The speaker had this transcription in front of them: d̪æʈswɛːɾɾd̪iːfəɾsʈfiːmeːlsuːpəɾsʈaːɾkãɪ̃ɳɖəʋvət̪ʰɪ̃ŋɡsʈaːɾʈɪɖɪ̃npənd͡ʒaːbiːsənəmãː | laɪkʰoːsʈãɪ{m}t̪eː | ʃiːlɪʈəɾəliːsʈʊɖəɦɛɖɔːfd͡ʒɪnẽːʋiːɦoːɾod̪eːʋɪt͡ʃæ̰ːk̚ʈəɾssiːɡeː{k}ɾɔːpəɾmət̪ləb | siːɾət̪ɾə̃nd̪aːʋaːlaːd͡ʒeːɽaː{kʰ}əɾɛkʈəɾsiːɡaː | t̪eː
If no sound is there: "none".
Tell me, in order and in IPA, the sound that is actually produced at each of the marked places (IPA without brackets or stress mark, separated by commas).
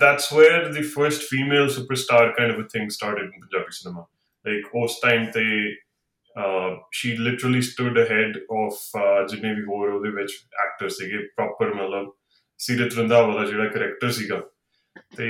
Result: m, p, k